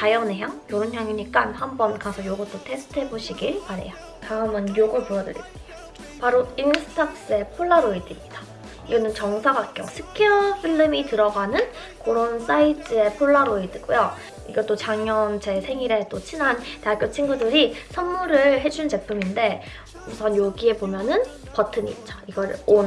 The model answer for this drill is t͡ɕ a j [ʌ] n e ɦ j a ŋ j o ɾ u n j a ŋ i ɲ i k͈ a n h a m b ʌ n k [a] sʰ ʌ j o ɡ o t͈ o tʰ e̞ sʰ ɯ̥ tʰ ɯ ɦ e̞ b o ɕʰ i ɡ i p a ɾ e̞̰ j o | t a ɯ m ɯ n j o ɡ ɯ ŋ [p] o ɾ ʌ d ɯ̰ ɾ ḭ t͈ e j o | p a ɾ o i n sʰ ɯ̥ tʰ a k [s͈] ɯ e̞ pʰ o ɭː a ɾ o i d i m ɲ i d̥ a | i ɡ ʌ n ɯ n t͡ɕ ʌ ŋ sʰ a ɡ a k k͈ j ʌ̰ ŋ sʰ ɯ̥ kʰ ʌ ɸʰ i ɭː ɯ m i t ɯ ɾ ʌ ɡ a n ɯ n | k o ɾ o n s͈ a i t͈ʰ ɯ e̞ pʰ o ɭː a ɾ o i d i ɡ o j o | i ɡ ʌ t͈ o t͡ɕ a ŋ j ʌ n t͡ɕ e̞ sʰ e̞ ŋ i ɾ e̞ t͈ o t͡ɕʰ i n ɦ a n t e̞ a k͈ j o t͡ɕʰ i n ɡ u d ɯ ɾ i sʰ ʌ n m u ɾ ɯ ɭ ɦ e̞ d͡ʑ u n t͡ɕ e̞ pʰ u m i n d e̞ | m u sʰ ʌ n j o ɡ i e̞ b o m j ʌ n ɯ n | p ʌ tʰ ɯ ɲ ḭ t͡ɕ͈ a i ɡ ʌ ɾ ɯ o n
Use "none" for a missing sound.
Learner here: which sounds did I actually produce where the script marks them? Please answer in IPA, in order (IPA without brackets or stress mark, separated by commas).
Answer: ʌ, a, p, s͈